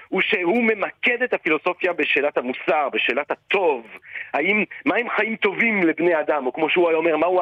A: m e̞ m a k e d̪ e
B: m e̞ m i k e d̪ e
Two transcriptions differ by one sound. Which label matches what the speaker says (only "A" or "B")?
A